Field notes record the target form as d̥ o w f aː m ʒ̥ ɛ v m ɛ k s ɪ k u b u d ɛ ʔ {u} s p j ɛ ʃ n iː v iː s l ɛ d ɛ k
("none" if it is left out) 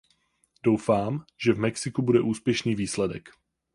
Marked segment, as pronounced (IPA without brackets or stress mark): uː